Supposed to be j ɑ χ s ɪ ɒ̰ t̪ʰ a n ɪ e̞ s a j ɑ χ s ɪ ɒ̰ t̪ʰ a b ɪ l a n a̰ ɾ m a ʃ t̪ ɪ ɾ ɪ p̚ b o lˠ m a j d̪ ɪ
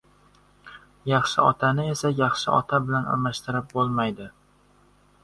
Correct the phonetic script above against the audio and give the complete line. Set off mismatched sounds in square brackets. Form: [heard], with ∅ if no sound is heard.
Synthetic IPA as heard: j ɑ χ [ʃ] ɪ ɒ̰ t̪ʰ a n ɪ e̞ s a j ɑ χ [ʃ] ɪ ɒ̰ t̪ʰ a b ɪ l a n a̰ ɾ m a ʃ t̪ ɪ ɾ ɪ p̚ b o lˠ m a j d̪ ɪ